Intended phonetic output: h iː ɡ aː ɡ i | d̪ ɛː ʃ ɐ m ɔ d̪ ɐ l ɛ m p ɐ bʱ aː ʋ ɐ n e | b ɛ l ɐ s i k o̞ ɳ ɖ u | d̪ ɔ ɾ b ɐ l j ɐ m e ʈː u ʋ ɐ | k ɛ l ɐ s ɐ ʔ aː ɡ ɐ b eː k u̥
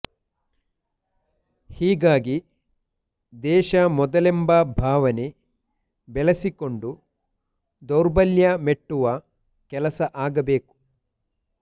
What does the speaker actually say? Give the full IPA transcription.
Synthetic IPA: h iː ɡ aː ɡ i | d̪ ɛː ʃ ɐ m ɔ d̪ ɐ l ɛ m b ɐ bʱ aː ʋ ɐ n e | b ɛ l ɐ s i k o̞ ɳ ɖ u | d̪ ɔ ɾ b ɐ l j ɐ m e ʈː u ʋ ɐ | k ɛ l ɐ s ɐ ʔ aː ɡ ɐ b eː k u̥